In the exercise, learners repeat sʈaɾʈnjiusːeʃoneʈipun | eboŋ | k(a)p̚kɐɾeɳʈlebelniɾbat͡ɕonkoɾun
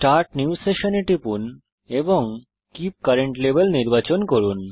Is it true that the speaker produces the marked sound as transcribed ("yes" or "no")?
no